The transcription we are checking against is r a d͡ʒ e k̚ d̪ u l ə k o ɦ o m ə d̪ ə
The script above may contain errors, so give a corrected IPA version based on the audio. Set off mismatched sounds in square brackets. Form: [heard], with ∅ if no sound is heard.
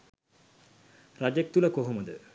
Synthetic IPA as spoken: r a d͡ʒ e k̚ [t̪] u l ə k o ɦ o m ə d̪ ə